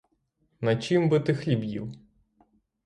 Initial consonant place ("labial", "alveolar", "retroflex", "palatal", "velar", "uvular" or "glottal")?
alveolar